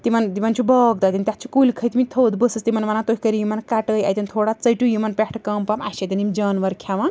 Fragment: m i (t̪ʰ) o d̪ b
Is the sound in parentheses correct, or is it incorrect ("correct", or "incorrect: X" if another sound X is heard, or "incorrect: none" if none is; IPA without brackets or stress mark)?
correct